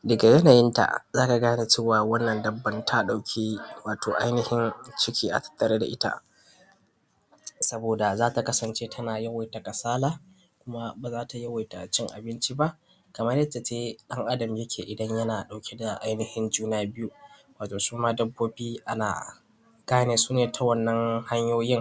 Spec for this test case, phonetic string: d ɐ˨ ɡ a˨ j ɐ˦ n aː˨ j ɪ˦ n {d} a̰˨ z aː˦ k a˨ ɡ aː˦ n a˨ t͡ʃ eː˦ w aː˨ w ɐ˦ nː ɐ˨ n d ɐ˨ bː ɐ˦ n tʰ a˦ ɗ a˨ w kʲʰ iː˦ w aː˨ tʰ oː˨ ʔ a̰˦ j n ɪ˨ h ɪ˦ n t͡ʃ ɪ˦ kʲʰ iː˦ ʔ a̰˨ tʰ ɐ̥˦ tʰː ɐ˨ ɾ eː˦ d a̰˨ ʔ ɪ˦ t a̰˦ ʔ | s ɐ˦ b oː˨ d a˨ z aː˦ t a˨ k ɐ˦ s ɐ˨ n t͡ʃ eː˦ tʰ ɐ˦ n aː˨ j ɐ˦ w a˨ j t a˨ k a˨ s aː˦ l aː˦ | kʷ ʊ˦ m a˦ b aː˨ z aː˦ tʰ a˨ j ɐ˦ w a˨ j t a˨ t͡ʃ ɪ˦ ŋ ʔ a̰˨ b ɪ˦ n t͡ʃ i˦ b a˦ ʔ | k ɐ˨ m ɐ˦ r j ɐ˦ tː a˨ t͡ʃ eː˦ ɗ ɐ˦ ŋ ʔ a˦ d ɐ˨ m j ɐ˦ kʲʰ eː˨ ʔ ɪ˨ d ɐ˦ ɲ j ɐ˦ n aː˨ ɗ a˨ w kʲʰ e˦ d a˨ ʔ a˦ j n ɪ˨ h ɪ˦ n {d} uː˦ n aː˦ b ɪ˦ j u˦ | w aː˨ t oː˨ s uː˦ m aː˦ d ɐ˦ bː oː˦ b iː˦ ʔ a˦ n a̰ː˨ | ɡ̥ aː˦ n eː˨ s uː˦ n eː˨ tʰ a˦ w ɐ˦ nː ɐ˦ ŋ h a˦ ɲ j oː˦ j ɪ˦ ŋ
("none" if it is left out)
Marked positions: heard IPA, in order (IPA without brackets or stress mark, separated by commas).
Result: t, d͡ʒ